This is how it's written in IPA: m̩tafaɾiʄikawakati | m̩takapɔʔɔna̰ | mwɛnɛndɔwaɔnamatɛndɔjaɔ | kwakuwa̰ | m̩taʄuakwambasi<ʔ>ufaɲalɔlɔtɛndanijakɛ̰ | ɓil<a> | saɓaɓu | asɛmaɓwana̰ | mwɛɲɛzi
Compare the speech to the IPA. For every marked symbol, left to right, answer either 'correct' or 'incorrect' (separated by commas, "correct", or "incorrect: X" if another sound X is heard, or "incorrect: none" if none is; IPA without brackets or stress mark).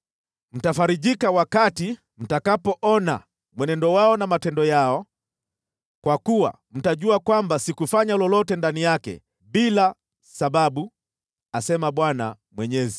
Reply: incorrect: k, correct